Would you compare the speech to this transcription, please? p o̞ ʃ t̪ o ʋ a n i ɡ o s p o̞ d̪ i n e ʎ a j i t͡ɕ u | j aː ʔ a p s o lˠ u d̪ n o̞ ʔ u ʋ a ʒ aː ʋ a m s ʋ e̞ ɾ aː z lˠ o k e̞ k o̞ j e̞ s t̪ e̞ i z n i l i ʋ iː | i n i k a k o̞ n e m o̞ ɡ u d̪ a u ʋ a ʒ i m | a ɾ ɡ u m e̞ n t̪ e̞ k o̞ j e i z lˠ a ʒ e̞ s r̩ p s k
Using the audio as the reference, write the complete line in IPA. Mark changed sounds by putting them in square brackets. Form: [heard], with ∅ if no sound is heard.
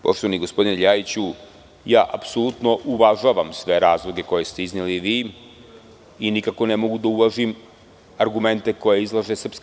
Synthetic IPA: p o̞ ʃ t̪ o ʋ a n i ɡ o s p o̞ d̪ i n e ʎ a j i t͡ɕ u | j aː ʔ a p s o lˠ u [t̪] n o̞ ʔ u ʋ a ʒ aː ʋ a m s ʋ e̞ ɾ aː z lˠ o [ɡ] e̞ k o̞ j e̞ s t̪ e̞ i z n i l i ʋ iː | i n i k a k o̞ n e m o̞ ɡ u d̪ a u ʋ a ʒ i m | a ɾ ɡ u m e̞ n t̪ e̞ k o̞ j e i z lˠ a ʒ e̞ s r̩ p s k